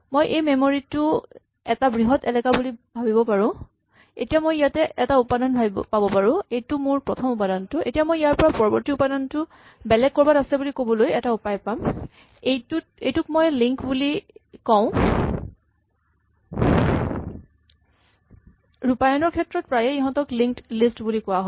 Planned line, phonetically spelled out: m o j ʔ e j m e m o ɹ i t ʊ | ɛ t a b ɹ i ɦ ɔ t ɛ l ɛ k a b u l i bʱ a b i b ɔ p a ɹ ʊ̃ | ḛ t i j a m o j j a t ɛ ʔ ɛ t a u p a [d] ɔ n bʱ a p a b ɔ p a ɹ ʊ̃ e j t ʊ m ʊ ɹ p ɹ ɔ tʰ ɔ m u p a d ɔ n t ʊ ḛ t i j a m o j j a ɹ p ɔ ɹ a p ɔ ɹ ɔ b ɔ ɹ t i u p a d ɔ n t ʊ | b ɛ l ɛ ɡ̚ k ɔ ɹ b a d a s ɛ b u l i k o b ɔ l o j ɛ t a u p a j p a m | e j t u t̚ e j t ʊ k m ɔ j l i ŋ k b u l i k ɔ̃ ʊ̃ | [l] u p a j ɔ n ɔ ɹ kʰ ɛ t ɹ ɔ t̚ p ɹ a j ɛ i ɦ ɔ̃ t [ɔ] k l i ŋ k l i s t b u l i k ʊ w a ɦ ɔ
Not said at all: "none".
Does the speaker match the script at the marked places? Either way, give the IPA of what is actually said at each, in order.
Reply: d, ɹ, ɔ

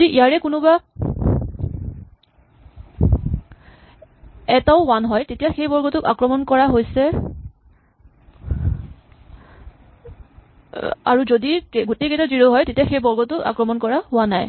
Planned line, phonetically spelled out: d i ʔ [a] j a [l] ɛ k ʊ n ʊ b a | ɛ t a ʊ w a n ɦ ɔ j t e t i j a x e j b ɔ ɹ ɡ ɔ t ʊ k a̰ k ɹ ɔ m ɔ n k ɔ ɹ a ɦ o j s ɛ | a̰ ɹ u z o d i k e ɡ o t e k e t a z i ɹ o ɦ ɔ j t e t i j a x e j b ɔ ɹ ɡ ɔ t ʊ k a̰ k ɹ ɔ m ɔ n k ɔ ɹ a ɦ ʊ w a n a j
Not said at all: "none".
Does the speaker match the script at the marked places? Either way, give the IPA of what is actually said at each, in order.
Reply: i, ɹ

